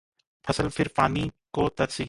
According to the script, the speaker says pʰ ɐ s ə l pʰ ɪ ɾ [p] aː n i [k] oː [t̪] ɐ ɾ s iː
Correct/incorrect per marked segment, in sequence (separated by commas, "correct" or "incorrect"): correct, correct, correct